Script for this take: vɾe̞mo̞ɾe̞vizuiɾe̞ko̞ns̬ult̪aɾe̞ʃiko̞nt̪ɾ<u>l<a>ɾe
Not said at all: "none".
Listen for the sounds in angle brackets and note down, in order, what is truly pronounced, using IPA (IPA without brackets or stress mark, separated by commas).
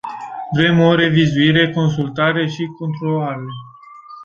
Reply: o, a